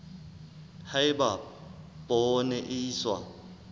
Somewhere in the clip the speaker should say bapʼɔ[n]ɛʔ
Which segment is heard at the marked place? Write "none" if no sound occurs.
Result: n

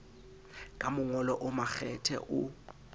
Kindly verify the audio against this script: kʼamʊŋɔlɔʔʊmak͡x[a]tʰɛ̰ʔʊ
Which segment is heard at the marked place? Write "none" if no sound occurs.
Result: ɛ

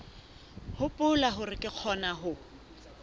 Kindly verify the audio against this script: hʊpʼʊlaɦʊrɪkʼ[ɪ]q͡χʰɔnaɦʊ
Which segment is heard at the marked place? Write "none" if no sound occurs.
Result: ɪ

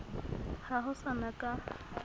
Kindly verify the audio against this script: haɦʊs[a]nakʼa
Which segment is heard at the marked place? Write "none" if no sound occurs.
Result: a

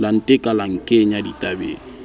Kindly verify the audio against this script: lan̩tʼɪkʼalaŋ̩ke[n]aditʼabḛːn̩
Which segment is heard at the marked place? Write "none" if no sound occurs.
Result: ɲ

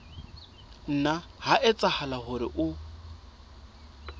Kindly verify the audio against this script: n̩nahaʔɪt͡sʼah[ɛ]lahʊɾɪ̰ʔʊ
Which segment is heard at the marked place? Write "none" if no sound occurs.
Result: a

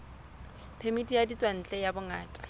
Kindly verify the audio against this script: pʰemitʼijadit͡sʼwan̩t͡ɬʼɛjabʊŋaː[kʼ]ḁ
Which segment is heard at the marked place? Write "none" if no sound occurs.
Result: tʼ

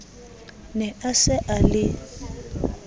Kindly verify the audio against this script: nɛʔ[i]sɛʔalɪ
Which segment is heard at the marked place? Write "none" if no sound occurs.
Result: a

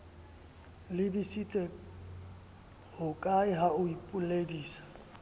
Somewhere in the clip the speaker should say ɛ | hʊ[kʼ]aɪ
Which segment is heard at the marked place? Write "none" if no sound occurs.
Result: kʼ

